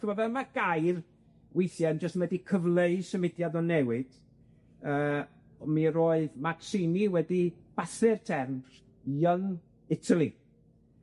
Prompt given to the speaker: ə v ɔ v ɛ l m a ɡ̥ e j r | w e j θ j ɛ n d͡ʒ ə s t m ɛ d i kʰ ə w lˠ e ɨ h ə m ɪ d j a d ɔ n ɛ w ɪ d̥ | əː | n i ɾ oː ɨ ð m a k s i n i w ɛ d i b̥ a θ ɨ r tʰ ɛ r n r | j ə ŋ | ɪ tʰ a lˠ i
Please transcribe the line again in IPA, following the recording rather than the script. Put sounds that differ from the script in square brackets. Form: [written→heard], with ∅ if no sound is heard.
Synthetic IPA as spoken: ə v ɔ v ɛ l m a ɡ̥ [e→a] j r | w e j θ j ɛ n d͡ʒ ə s t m ɛ d i kʰ ə [w→v] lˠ e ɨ [h→s] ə m ɪ d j a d ɔ n ɛ w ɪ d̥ | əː | [n→m] i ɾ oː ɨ ð m a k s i n i w ɛ d i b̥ a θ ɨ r tʰ ɛ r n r | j ə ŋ | ɪ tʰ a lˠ i